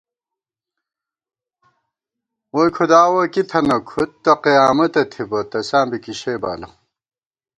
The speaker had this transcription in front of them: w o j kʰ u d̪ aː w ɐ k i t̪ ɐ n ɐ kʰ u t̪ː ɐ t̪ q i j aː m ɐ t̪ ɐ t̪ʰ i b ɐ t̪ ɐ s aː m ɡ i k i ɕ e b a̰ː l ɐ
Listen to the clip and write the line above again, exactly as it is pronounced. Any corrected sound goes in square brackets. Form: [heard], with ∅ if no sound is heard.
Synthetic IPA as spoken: w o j kʰ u d̪ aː w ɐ k i [t̪ʰ] ɐ n ɐ kʰ u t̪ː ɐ [∅] q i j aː m ɐ t̪ ɐ t̪ʰ i b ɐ t̪ ɐ s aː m [b] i k i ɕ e b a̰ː l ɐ